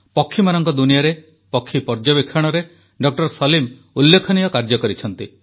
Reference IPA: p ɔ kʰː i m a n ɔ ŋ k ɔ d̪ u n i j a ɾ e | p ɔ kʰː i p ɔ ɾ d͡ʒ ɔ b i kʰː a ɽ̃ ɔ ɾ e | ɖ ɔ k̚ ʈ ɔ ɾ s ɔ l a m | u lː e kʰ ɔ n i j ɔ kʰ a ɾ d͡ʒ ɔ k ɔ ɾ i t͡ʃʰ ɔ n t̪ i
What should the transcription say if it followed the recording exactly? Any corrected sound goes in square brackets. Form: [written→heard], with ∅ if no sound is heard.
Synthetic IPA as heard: p ɔ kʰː i m a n ɔ ŋ k ɔ d̪ u n i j a ɾ e | p ɔ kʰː i p ɔ ɾ d͡ʒ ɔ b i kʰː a ɽ̃ ɔ ɾ e | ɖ ɔ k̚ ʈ ɔ ɾ s ɔ l [a→i] m | u lː e kʰ ɔ n i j ɔ [kʰ→k] a ɾ d͡ʒ ɔ k ɔ ɾ i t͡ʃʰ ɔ n t̪ i